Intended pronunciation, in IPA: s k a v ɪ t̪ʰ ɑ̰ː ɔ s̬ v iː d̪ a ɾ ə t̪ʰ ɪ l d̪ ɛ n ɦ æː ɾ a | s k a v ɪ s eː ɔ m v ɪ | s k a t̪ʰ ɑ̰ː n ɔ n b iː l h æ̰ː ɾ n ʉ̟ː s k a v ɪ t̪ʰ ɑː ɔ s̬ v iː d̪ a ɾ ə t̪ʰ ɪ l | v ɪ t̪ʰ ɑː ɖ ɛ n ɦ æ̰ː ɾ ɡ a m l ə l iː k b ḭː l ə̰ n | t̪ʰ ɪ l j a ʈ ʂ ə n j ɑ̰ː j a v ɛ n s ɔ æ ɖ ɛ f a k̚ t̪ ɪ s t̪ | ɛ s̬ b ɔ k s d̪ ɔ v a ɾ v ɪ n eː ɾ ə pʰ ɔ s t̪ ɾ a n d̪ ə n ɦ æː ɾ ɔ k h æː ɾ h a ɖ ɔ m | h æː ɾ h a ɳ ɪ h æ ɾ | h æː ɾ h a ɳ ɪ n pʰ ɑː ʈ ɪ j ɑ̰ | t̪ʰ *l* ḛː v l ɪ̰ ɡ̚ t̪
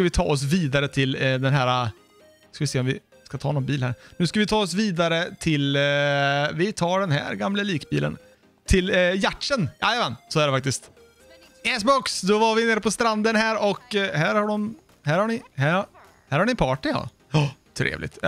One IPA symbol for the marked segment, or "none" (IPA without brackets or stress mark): ɾ